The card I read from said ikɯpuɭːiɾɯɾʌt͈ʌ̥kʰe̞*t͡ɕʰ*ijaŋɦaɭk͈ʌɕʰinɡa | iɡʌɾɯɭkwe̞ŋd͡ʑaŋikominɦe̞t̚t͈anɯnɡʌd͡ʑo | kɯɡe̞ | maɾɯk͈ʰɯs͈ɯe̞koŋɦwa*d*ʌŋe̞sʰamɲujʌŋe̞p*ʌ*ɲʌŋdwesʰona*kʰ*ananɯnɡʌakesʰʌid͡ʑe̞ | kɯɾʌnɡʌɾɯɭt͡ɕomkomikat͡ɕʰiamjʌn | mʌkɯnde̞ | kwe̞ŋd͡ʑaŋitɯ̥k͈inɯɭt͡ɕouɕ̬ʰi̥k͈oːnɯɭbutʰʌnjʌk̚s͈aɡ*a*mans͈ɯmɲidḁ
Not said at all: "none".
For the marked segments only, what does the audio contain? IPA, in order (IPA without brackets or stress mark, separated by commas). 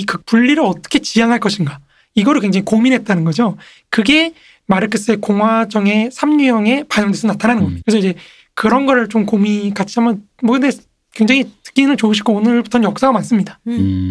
t͡ɕ, d͡ʑ, a, tʰ, a